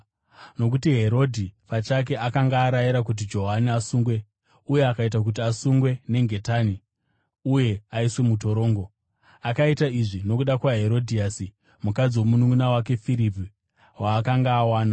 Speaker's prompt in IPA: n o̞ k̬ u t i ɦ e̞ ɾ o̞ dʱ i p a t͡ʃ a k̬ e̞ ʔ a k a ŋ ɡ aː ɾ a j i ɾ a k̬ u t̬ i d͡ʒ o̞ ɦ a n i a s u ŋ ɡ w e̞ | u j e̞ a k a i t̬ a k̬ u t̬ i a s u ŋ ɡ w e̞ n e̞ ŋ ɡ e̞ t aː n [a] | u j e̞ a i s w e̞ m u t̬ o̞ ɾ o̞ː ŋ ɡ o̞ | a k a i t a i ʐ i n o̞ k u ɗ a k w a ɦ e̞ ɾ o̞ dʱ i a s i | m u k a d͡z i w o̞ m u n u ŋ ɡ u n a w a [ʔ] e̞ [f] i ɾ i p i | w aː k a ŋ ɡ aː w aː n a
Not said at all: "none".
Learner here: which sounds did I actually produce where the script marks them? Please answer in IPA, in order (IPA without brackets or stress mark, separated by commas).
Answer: i, k, f